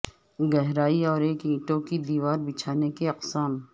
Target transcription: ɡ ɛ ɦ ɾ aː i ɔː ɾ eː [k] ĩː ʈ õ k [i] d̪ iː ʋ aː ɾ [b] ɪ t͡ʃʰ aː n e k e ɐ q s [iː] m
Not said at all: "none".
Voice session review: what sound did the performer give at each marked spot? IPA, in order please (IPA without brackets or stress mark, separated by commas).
k, i, b, aː